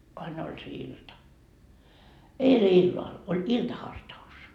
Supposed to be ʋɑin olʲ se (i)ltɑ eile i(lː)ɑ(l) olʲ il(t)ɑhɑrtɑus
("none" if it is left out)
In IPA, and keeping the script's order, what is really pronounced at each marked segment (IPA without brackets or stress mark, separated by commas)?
i, lː, l, t